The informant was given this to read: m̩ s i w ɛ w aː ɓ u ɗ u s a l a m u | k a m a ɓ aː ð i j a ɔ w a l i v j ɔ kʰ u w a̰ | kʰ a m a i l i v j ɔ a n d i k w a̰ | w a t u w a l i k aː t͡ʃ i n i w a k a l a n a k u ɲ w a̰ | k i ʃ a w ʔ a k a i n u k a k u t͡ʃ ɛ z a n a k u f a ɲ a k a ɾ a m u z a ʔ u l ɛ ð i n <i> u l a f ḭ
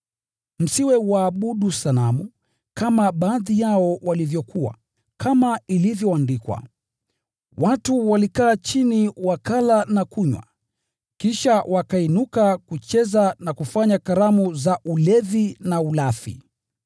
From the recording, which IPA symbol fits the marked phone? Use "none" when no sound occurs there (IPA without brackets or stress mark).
a